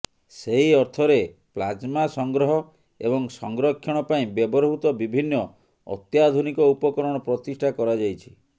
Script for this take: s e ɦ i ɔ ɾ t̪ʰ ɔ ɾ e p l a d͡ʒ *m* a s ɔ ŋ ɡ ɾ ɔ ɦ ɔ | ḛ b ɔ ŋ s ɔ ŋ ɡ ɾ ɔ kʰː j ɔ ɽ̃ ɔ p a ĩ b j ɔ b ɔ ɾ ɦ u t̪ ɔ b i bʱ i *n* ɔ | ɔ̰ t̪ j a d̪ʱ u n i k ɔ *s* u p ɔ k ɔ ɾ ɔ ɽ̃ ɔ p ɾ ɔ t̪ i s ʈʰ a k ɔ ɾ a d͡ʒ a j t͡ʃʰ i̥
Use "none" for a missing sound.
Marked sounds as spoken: m, nː, none

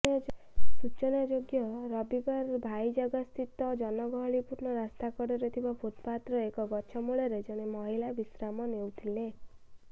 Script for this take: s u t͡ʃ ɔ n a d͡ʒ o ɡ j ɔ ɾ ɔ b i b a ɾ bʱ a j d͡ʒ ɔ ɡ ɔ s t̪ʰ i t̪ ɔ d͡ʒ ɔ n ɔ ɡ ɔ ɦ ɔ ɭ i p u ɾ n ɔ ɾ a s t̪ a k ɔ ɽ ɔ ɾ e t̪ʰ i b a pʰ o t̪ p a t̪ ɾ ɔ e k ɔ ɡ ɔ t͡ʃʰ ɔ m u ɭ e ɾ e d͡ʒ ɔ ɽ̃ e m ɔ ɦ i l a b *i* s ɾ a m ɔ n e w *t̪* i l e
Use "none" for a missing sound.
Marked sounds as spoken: i, t̪ʰ

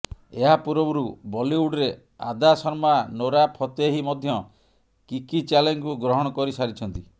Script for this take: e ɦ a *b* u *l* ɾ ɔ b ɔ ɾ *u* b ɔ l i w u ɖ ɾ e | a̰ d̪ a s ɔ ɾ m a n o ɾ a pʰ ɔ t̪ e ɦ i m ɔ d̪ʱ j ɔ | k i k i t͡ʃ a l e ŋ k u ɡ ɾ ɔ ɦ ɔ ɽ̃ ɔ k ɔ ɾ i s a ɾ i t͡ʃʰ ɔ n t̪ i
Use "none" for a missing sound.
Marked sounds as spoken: p, none, u

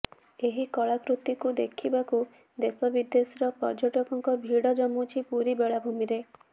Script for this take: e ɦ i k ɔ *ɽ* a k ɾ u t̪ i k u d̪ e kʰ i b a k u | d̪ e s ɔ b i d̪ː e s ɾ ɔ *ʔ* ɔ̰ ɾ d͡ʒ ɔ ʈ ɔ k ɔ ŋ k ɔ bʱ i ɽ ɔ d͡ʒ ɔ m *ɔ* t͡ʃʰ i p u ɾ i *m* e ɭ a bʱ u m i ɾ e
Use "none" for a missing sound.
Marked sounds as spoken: ɭ, p, u, b

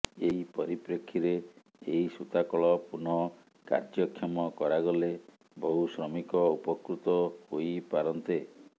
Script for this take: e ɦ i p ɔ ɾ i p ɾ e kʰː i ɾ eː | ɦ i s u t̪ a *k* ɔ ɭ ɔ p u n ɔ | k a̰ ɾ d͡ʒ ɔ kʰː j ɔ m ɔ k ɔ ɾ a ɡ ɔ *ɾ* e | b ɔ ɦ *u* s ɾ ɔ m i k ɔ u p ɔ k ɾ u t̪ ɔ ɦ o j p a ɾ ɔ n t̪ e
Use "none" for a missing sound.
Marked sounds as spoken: k, l, u

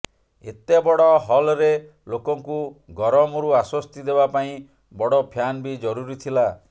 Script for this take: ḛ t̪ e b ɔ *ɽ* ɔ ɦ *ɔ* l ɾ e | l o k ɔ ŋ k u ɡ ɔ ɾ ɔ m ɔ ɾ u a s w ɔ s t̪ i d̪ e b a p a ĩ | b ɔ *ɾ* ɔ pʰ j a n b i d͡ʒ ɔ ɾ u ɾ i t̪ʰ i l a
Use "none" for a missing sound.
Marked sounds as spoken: ɽ, ɔ, ɽ

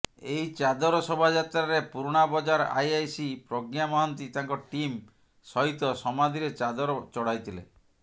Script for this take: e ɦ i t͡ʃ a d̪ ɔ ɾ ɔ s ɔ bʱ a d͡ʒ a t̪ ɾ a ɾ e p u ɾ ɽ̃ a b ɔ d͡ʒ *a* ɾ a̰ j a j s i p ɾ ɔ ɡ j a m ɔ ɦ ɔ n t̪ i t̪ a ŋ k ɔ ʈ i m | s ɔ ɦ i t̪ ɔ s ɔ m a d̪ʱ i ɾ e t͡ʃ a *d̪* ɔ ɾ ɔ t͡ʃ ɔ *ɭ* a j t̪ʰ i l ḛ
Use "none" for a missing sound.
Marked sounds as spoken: a, d̪, ɽ

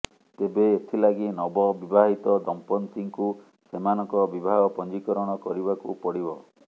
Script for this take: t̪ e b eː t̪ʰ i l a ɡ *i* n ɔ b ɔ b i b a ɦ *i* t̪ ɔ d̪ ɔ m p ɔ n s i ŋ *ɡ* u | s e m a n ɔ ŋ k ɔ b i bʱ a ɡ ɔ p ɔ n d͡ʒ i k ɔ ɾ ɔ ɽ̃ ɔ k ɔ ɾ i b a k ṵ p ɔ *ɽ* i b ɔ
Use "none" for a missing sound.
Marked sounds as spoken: i, i, k, ɽ

